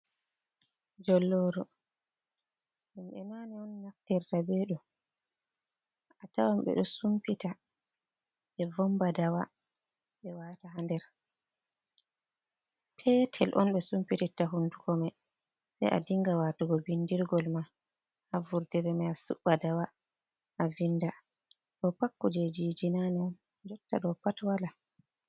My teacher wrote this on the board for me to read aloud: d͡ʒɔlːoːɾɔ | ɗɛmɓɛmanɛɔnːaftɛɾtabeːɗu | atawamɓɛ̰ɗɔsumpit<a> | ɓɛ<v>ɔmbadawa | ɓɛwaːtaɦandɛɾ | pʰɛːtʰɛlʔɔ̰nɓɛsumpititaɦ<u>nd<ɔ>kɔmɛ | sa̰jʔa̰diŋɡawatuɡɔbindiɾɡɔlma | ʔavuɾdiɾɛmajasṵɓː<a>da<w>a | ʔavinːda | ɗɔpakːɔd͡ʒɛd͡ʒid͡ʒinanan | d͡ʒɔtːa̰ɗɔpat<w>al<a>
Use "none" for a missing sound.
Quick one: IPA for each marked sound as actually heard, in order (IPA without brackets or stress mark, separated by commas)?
a, v, u, u, a, w, w, a